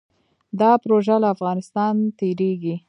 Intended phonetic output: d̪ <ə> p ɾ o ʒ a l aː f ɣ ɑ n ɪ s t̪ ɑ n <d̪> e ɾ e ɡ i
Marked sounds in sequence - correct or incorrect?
incorrect: ɑ, incorrect: t̪

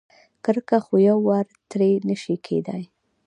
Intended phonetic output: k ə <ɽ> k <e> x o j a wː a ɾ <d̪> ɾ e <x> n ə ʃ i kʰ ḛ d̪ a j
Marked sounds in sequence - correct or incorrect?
incorrect: ɾ, incorrect: a, incorrect: t̪, incorrect: none

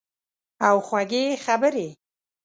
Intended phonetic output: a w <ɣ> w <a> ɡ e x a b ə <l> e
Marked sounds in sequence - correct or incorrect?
incorrect: x, correct, incorrect: ɾ

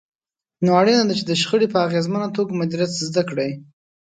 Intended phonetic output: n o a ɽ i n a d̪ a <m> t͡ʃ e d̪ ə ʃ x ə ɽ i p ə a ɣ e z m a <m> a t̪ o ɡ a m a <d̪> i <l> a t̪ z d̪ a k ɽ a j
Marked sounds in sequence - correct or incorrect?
incorrect: none, incorrect: n, correct, incorrect: ɾ

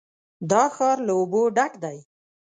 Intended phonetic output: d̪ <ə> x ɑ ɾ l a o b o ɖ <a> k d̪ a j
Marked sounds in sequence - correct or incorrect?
incorrect: ɑ, correct

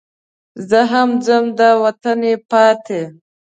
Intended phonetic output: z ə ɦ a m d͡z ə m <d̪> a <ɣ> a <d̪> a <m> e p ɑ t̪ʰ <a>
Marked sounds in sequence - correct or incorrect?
correct, incorrect: w, incorrect: t̪, incorrect: n, incorrect: e

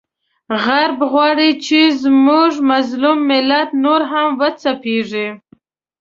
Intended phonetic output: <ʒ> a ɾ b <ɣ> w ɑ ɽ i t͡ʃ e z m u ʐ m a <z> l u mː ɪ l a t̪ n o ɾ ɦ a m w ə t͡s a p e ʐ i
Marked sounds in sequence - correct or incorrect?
incorrect: ɣ, correct, correct

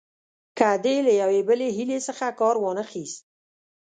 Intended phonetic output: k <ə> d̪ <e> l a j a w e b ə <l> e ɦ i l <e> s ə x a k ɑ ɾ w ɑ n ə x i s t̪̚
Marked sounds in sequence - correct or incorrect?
incorrect: a, correct, correct, correct

